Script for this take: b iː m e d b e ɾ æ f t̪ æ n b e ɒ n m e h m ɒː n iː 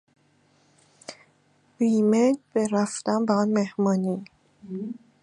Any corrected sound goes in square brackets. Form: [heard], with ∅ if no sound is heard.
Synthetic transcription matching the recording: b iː m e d b e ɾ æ f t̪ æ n b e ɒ n m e h m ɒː n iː